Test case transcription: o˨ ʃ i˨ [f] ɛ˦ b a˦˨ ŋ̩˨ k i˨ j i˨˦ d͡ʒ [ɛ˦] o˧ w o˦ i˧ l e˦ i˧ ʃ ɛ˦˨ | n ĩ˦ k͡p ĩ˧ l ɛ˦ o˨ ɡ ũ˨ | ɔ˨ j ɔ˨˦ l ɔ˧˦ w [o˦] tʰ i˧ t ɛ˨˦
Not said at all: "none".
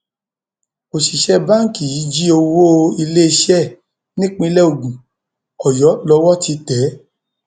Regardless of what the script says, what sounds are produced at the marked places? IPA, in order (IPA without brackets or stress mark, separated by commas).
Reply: ʃ, i˦, ɔ˦